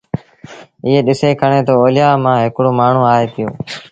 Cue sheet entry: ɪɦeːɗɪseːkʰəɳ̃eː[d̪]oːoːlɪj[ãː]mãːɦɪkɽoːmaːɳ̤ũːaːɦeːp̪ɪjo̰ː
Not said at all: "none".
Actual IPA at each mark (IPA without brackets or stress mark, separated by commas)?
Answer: t̪, aː